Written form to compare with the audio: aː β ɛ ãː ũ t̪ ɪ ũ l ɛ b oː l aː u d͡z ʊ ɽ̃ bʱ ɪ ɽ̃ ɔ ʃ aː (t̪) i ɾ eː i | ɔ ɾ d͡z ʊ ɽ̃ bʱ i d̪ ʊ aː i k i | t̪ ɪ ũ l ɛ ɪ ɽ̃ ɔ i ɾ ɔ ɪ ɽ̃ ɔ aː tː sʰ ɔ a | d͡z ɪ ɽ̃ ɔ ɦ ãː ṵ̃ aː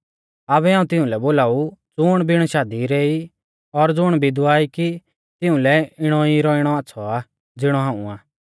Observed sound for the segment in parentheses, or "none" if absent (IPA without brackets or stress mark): d̪